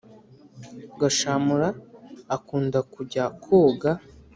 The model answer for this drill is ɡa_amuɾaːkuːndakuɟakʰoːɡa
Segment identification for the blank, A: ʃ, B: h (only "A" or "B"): A